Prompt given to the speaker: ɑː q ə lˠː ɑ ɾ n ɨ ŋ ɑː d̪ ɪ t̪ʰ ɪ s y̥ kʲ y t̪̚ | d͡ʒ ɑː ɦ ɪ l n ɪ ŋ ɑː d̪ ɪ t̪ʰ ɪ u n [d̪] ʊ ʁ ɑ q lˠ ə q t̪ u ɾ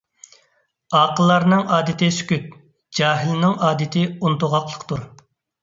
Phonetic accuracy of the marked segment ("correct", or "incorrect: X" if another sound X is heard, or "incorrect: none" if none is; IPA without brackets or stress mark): incorrect: t̪